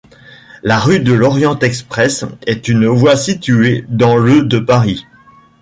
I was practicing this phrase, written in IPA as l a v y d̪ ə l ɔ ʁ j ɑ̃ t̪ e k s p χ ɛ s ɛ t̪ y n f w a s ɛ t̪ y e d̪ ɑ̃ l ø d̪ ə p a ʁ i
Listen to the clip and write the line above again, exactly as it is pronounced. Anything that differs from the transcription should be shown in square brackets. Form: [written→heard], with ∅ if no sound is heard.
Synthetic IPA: l a [v→ʁ] y d̪ ə l ɔ ʁ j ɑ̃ t̪ [e→ɛ] k s p χ ɛ s ɛ t̪ y n [f→v] w a s [ɛ→i] t̪ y e d̪ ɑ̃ l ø d̪ ə p a ʁ i